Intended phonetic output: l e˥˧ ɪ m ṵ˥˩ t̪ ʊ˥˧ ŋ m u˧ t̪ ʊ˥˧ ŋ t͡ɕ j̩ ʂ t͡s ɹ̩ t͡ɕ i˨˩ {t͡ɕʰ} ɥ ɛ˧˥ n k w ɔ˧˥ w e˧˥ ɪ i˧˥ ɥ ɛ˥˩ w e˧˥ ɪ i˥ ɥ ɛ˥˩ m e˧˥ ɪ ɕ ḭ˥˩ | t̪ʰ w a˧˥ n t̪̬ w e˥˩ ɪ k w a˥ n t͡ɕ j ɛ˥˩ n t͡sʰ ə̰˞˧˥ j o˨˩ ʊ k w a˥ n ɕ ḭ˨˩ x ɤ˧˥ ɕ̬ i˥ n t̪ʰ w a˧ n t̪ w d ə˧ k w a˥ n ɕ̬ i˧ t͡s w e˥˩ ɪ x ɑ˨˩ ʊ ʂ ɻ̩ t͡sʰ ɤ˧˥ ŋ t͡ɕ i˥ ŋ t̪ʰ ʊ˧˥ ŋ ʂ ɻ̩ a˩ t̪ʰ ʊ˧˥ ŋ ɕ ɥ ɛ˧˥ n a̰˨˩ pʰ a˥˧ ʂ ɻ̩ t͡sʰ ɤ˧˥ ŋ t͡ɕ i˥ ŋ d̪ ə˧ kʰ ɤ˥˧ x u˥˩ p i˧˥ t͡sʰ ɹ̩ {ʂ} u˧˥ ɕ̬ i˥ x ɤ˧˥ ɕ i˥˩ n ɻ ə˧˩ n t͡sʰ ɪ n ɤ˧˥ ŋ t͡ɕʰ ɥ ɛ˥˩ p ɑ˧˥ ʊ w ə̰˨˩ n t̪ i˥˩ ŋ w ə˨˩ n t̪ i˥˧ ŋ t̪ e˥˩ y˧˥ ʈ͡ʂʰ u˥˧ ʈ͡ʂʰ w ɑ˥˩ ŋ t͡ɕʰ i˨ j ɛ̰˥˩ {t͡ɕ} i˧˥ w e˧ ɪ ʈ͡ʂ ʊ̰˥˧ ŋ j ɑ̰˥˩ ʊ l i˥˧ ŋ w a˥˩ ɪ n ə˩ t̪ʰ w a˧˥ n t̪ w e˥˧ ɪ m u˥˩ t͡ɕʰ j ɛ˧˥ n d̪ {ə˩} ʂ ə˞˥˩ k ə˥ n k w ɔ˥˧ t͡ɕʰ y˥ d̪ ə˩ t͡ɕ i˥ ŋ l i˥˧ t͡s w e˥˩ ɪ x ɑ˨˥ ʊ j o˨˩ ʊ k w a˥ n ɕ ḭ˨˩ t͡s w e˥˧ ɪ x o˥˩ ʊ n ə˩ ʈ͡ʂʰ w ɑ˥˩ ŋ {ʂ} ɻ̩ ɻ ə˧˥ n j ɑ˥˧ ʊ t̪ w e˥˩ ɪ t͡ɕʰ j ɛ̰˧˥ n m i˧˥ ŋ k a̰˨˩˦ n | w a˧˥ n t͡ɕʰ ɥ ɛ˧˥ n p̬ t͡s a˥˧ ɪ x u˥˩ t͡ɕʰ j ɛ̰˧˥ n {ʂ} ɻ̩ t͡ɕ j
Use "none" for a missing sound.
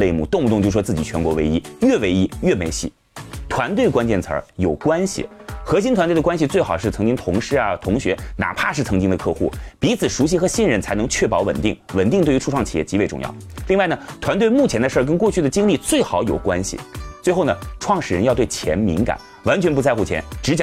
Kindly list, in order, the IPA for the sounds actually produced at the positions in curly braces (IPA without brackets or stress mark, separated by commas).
t͡ɕʰ, ʂ, t͡ɕ, ə˧, ʂ, ʈ͡ʂ